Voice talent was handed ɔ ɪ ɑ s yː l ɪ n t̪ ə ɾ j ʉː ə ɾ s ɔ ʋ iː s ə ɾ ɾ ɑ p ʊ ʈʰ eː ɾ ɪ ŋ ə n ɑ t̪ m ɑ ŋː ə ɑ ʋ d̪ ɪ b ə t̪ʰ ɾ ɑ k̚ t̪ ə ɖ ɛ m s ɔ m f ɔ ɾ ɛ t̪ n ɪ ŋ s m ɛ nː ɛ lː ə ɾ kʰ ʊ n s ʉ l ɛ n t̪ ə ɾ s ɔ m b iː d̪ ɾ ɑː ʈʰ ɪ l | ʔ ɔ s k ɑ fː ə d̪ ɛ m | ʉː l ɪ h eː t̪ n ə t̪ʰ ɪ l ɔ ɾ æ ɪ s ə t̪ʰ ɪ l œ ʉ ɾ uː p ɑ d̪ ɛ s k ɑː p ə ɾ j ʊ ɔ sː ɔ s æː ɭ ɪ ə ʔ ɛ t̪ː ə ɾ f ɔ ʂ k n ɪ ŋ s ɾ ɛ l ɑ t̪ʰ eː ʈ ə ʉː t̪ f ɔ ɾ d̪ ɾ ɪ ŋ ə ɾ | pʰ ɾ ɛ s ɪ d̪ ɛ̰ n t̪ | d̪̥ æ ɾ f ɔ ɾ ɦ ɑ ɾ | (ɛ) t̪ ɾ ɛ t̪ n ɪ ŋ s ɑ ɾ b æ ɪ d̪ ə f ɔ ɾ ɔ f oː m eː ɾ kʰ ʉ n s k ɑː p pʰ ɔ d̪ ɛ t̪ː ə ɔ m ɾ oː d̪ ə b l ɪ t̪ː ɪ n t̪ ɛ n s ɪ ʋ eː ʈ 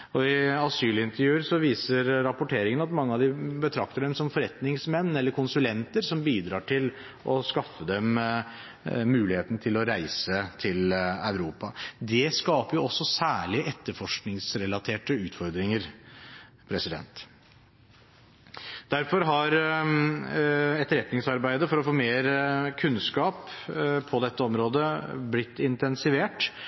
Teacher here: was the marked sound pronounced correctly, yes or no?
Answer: yes